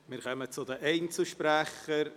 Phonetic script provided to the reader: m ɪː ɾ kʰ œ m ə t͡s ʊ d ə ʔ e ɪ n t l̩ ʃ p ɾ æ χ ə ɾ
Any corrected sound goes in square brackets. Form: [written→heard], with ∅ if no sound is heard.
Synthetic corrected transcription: m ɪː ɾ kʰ œ m ə t͡s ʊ d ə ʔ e ɪ n [t→t͡s] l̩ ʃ p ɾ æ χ ə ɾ